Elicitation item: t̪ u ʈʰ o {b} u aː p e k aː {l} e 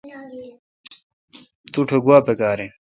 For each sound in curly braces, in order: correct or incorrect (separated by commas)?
incorrect, incorrect